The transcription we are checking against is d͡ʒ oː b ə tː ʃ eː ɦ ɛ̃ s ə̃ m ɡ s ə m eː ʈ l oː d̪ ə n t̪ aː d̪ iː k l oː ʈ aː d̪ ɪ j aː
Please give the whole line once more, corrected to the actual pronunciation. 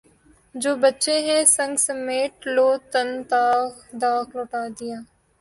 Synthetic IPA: d͡ʒ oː b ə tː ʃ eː ɦ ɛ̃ s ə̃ ŋ ɡ s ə m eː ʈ l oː t̪ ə n t̪ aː d̪ aː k l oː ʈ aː d̪ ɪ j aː